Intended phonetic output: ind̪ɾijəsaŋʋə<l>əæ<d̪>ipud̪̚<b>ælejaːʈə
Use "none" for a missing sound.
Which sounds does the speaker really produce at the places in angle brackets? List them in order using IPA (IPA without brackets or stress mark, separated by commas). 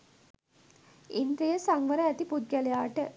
ɾ, t̪, ɡ